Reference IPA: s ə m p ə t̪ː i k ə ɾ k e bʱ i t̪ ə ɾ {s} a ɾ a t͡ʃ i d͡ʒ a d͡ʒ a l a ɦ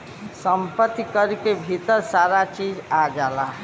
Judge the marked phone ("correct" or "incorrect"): correct